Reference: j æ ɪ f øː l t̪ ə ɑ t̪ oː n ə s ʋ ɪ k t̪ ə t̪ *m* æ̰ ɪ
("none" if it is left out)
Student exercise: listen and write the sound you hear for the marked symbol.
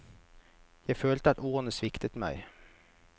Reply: m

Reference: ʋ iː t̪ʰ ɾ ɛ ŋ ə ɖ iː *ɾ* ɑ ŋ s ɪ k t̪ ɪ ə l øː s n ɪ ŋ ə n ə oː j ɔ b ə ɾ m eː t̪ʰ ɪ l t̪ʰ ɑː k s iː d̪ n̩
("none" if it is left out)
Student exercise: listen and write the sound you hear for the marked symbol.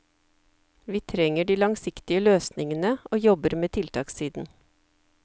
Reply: l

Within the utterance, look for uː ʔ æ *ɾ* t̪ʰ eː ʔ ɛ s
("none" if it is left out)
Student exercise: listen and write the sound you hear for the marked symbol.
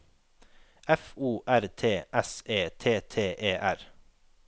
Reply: ɾ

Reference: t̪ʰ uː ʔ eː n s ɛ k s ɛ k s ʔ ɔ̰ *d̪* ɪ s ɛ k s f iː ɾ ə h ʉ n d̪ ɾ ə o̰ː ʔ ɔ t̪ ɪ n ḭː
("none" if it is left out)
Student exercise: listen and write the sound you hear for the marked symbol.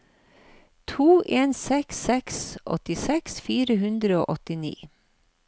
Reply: t̪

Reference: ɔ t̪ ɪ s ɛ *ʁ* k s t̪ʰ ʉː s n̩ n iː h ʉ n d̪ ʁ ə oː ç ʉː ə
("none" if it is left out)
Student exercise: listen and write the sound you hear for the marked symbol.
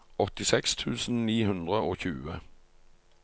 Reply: none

